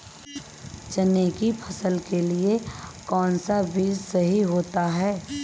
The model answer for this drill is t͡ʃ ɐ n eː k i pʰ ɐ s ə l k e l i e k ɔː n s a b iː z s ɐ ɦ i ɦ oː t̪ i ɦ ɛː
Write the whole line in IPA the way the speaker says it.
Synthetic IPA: t͡ʃ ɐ n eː k i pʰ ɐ s ə l k e l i e k ɔː n s a b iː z s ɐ ɦ i ɦ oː t̪ a ɦ ɛː